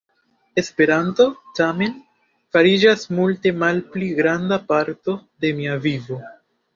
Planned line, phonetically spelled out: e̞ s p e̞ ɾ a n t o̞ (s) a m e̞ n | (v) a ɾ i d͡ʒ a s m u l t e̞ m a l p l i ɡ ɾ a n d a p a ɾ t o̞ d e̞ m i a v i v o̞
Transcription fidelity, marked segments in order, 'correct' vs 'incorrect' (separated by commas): incorrect, incorrect